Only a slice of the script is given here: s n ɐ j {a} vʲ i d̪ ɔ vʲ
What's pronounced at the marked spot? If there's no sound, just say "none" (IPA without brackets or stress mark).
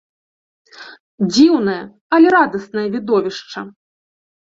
ɐ